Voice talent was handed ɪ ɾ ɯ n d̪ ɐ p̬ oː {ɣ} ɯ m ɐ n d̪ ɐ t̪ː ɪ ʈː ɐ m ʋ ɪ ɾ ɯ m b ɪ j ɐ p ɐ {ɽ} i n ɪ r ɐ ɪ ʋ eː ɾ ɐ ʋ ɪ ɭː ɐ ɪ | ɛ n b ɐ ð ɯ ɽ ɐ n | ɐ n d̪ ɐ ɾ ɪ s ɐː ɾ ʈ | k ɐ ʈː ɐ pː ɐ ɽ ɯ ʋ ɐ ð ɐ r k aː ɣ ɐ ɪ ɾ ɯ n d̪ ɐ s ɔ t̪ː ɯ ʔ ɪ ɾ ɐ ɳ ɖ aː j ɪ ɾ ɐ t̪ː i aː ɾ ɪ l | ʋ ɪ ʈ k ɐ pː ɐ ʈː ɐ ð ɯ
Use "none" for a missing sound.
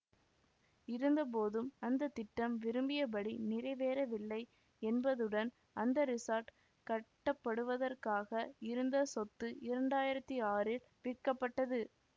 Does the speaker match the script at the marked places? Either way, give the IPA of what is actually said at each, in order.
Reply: ð, ɽ

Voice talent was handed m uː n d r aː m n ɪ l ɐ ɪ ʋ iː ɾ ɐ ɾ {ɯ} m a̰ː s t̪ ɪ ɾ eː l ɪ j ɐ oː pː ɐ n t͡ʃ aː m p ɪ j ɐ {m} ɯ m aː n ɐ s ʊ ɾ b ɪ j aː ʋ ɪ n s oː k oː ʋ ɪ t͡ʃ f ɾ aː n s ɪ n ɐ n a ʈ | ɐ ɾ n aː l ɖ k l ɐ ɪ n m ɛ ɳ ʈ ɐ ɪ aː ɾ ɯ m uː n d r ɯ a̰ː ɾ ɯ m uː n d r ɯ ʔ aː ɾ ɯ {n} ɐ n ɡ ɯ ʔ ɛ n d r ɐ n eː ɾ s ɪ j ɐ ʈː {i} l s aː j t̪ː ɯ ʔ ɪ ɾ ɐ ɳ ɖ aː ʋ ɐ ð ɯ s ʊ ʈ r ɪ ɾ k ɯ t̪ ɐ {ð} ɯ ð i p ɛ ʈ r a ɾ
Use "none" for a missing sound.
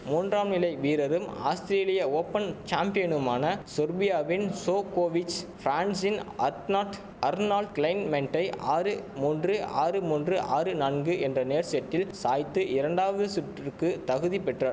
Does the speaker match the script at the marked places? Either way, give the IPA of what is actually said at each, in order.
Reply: ɯ, n, n, ɪ, ɣ

